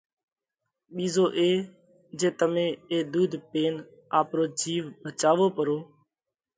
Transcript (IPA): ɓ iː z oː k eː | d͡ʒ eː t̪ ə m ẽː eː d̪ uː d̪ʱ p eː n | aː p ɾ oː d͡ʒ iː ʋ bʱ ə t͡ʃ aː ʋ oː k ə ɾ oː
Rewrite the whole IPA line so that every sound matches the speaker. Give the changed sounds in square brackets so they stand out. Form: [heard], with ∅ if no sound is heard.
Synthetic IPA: ɓ iː z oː [ʔ] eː | d͡ʒ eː t̪ ə m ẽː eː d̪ uː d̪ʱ p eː n | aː p ɾ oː d͡ʒ iː ʋ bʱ ə t͡ʃ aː ʋ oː [p] ə ɾ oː